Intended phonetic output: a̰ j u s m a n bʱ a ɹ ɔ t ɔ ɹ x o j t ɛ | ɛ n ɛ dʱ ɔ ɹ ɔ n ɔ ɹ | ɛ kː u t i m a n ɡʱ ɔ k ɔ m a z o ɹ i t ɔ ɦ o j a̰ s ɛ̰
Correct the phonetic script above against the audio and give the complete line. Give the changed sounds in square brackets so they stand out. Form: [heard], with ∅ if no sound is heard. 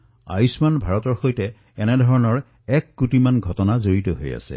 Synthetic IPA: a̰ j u s m a n bʱ a ɹ ɔ t ɔ ɹ x o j t ɛ | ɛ n ɛ dʱ ɔ ɹ ɔ n ɔ ɹ | ɛ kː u t i m a n ɡʱ ɔ [t] ɔ [n] a z o ɹ i t ɔ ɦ o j a̰ s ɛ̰